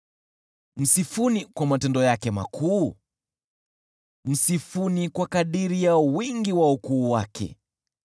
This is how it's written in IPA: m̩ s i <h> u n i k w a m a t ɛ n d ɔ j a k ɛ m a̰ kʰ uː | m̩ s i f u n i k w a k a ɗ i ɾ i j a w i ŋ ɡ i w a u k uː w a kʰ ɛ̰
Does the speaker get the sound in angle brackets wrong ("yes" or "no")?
yes